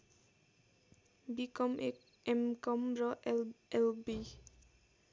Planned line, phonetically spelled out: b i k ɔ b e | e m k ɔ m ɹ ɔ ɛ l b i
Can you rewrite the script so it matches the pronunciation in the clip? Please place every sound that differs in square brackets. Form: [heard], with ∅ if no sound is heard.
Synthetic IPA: b i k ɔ [m] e | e m k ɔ m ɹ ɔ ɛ l b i